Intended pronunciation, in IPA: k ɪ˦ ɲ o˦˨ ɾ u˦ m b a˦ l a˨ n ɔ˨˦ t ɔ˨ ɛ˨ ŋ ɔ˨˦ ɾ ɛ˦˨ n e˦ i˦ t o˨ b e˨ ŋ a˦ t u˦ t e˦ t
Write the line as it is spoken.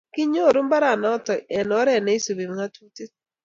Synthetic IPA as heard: k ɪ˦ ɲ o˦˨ ɾ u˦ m b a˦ ɾ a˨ n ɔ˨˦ t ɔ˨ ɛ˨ n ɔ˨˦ ɾ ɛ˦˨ n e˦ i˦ s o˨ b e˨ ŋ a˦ t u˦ t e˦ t